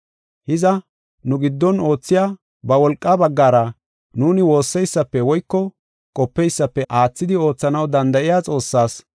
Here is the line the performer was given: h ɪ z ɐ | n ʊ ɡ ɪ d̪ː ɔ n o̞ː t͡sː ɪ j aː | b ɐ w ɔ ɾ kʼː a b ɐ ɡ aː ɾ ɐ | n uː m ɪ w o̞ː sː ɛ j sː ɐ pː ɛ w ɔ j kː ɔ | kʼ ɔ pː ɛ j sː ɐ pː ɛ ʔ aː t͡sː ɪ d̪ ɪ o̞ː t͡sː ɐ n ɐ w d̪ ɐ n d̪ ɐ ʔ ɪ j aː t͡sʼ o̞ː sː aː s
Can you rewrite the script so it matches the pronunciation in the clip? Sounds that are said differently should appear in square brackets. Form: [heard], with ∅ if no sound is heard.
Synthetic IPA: h ɪ z ɐ | n ʊ ɡ ɪ d̪ː ɔ n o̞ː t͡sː ɪ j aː | b ɐ w ɔ [l] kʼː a b ɐ [ɡː] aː ɾ ɐ | n uː [n] ɪ w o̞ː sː ɛ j sː ɐ pː ɛ w ɔ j kː ɔ | kʼ ɔ pː ɛ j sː ɐ pː ɛ ʔ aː t͡sː ɪ d̪ ɪ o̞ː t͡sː ɐ n ɐ w d̪ ɐ n d̪ ɐ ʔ ɪ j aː t͡sʼ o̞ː sː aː s